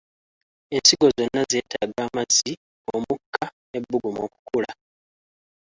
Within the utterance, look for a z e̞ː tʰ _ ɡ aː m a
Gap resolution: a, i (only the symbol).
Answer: a